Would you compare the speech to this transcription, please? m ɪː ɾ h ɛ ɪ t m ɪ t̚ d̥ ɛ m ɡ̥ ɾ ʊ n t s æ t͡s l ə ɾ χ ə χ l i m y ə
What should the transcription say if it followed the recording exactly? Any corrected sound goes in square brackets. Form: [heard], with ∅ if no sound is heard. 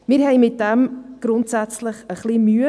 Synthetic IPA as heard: m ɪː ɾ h ɛ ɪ [∅] m ɪ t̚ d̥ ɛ m ɡ̥ ɾ ʊ n t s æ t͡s l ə [∅] χ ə χ l i m y ə